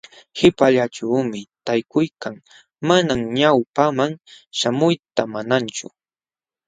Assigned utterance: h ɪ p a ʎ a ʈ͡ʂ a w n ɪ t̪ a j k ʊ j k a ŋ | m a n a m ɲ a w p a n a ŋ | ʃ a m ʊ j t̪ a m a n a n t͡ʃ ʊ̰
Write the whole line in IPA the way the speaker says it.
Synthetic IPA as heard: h ɪ p a ʎ a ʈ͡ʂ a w m ɪ t̪ a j k ʊ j k a ŋ | m a n a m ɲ a w p a m a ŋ | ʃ a m ʊ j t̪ a m a n a n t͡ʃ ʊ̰